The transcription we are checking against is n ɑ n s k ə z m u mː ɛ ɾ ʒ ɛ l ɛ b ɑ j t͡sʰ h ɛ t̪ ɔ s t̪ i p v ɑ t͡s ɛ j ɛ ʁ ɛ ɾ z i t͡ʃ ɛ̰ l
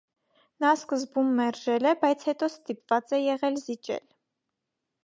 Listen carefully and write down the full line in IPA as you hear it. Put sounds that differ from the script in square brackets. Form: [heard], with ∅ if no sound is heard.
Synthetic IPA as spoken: n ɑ [∅] s k ə z [b] u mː ɛ ɾ ʒ ɛ l ɛ b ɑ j t͡sʰ h ɛ t̪ ɔ s t̪ i p v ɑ t͡s ɛ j ɛ ʁ ɛ [l] z i t͡ʃ ɛ̰ l